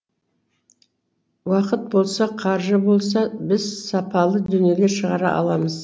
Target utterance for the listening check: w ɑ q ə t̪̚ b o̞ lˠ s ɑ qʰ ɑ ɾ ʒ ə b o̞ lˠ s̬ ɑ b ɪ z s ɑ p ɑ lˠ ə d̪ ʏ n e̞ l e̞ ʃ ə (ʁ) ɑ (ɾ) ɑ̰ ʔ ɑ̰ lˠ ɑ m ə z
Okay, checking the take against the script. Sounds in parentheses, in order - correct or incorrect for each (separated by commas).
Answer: correct, correct